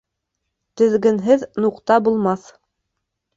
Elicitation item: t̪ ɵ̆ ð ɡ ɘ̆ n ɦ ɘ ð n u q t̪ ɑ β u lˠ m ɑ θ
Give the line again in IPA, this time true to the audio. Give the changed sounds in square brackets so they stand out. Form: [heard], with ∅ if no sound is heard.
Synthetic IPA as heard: t̪ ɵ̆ ð ɡ ɘ̆ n ɦ ɘ ð n u q t̪ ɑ [b] u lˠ m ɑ θ